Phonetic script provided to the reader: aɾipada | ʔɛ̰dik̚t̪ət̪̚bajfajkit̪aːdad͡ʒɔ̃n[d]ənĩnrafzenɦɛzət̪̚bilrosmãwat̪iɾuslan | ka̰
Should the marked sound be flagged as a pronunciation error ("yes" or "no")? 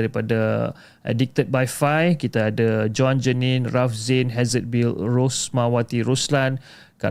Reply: yes